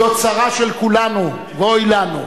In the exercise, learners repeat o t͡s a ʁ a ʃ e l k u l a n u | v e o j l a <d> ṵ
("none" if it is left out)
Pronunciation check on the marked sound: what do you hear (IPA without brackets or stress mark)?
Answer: n